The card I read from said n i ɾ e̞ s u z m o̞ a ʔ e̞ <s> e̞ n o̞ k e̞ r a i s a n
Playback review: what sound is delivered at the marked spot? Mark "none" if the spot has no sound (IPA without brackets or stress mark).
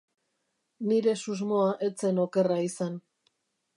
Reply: t͡s